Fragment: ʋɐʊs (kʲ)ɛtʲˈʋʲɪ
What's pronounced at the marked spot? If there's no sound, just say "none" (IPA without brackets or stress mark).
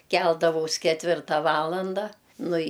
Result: kʲ